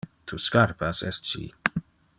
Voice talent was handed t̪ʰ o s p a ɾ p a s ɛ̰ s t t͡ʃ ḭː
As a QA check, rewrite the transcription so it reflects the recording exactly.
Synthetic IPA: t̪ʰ u s k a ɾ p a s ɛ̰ s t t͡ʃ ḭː